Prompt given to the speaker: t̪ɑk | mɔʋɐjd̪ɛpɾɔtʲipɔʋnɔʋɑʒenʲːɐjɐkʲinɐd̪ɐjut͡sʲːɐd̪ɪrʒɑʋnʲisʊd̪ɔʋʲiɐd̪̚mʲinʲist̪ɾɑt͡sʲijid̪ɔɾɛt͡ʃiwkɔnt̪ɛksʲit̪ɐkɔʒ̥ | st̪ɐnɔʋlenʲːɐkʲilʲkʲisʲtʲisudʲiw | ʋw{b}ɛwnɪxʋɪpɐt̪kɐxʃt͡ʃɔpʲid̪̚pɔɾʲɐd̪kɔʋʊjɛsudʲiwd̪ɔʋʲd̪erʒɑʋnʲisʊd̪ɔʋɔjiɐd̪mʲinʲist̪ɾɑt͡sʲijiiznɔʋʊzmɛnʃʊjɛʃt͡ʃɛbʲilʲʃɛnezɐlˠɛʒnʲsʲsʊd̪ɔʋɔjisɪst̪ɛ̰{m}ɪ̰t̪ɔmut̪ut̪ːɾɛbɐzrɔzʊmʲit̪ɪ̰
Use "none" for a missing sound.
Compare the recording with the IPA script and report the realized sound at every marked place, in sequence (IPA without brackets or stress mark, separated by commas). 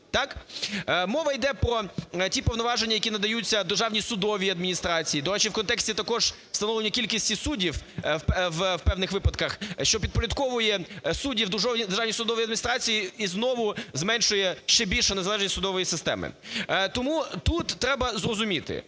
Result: p, m